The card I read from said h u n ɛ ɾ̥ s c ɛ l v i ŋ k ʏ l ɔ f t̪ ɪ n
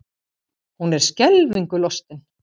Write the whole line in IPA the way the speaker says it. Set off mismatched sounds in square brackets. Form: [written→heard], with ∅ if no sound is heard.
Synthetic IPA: h u n ɛ ɾ̥ s c ɛ l v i ŋ k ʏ l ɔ [f→s] t̪ ɪ n